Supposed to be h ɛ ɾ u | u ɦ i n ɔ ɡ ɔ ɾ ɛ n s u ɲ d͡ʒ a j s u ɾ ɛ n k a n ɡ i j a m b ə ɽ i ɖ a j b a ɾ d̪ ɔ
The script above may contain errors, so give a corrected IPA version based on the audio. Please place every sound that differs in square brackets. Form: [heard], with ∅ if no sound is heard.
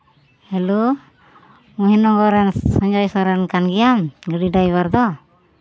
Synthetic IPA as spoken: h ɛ [l] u | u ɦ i n ɔ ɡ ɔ ɾ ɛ n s [ɔ] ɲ d͡ʒ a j s [ɔ] ɾ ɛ n k a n ɡ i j a m [ɡ] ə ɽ i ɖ a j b a ɾ d̪ ɔ